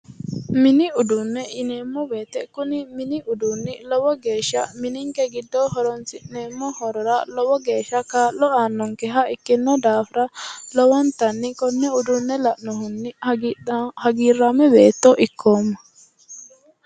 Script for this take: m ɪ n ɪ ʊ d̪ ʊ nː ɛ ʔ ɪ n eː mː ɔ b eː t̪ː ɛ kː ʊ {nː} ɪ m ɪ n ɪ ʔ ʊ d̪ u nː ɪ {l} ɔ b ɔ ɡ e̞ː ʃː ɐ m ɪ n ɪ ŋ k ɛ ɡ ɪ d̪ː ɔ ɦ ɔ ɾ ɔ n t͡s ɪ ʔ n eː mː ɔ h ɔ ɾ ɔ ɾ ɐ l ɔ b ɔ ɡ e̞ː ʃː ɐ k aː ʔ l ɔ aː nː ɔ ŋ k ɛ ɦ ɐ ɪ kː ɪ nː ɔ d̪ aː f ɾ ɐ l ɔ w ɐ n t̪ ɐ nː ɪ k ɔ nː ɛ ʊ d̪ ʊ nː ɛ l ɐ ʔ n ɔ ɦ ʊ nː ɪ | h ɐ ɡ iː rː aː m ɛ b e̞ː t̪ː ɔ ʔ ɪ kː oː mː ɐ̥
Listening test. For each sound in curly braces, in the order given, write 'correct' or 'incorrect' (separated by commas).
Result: incorrect, correct